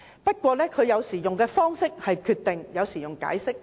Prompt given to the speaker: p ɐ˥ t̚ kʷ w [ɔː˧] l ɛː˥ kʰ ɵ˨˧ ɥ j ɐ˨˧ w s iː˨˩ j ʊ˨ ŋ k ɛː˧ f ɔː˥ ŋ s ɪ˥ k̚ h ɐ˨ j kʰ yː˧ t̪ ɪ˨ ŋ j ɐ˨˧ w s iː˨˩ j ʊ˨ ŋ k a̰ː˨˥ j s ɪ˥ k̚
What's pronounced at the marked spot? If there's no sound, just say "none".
ɔː˧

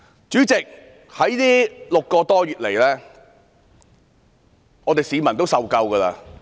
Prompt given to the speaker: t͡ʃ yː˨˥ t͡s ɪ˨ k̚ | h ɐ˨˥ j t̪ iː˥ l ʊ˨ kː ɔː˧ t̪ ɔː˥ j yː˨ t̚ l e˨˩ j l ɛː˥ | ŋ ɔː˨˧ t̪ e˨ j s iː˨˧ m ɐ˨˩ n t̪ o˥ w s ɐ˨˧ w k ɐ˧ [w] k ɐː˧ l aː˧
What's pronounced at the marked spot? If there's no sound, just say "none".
w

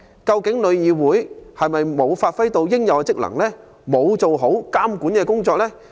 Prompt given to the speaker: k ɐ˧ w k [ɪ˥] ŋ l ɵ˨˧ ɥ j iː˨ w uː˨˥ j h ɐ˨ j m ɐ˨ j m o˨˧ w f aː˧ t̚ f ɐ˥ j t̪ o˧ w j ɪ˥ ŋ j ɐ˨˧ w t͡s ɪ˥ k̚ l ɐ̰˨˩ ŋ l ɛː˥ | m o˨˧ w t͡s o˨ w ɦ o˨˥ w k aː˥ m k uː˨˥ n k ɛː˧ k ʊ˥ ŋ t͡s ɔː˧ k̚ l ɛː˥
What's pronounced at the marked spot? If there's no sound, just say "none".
ɪ˨˥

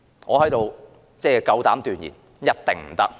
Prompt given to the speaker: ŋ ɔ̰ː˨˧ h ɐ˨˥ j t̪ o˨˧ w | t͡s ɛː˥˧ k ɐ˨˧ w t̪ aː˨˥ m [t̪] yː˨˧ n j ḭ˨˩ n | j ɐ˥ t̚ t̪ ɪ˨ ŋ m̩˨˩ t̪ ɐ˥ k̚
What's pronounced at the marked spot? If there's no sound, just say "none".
t̪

